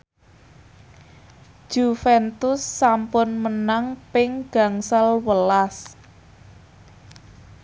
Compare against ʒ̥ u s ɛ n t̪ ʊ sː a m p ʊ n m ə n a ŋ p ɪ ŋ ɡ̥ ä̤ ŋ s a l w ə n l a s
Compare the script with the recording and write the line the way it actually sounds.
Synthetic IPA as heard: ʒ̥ u f ɛ n t̪ ʊ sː a m p ʊ n m ə n a ŋ p ɪ ŋ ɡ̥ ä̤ ŋ s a l w ə l a s